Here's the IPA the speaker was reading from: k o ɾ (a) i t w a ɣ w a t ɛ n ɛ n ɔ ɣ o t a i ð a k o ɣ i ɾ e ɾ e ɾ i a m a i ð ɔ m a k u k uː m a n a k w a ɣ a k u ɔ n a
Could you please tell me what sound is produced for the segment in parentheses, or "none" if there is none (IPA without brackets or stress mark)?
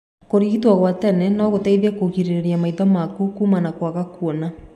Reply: i